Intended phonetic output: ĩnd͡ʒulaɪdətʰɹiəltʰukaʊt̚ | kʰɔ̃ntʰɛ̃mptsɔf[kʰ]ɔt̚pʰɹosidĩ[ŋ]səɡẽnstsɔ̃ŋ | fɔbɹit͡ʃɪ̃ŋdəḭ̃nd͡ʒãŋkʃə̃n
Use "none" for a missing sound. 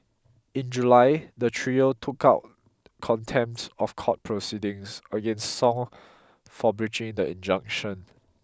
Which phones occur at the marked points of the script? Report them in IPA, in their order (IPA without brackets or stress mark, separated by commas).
kʰ, ŋ